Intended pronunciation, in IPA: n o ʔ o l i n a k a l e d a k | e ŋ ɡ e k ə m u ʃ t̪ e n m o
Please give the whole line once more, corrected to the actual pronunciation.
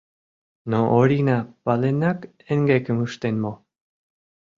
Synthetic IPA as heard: n o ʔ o ɾ i n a p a l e n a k | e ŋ ɡ e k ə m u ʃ t̪ e n m o